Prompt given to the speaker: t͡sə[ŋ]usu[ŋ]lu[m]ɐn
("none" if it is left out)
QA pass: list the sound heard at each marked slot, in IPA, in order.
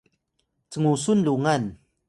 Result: ŋ, n, ŋ

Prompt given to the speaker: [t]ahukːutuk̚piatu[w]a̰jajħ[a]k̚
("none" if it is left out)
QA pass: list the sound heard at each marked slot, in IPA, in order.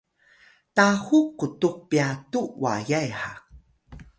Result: t, w, a

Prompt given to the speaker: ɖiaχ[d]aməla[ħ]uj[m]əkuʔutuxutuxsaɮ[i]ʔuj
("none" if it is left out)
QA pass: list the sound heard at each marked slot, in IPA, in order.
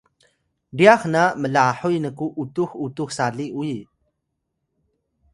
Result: n, ħ, n, i

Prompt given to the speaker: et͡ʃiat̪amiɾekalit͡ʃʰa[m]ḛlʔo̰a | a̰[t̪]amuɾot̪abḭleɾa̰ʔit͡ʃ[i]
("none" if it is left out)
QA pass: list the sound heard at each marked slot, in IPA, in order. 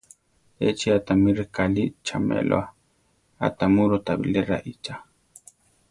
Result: m, t̪, a

